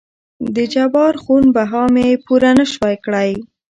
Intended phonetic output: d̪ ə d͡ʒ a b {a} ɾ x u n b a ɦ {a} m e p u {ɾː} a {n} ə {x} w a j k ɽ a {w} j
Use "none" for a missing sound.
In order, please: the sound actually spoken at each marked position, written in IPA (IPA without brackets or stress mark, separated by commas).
ɑ, ɑ, ɾ, n, ʃ, none